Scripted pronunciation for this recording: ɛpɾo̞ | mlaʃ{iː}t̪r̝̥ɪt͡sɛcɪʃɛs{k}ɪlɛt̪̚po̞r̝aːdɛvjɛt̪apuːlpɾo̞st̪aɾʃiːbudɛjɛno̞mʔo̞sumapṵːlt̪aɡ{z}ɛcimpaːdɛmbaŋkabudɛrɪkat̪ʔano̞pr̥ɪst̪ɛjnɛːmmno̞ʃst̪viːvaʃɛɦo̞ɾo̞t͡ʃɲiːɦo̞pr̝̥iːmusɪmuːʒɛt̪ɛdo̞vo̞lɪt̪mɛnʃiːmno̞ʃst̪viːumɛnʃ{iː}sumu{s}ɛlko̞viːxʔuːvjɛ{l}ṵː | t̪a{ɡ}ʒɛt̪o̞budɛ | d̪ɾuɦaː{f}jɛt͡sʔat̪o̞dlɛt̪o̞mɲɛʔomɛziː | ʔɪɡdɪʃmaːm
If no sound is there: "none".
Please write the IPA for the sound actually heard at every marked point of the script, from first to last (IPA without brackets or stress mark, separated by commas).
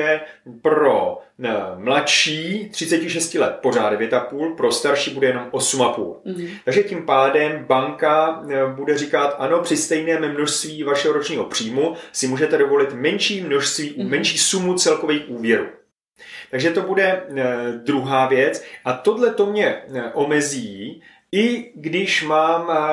iː, c, ʒ, iː, t͡s, ɾ, ɡ, v